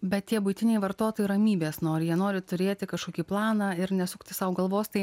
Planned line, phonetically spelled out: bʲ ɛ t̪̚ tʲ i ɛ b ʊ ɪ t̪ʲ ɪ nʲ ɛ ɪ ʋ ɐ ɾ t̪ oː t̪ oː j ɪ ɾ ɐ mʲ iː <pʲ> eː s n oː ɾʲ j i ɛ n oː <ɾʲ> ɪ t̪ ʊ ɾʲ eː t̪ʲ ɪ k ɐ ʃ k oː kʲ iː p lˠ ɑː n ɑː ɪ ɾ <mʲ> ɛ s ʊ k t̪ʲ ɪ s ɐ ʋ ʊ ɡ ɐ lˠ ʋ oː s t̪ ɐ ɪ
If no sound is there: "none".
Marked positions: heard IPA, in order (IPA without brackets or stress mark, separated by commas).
bʲ, ɾʲ, nʲ